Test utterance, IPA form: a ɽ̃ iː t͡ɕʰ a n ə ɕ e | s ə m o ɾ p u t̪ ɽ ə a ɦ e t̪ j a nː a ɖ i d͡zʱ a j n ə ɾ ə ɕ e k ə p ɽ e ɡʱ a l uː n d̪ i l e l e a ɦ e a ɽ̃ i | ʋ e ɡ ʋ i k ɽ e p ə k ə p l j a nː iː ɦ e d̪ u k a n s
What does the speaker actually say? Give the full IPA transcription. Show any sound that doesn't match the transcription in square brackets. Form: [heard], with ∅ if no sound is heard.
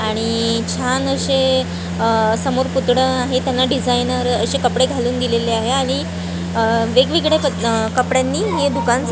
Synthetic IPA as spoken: a ɽ̃ [i] t͡ɕʰ a n ə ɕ e | s ə m o ɾ p u t̪ ɽ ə a ɦ e t̪ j a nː a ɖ i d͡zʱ a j n ə ɾ ə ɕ e k ə p ɽ e ɡʱ a l uː n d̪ i l e l e a ɦ e a ɽ̃ i | ʋ e ɡ ʋ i [ɡ] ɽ e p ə k ə p [ɽ] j a nː iː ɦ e d̪ u k a n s